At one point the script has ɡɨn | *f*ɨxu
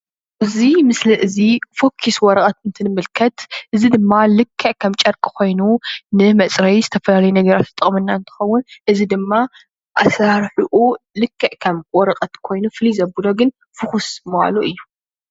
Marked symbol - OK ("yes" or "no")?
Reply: yes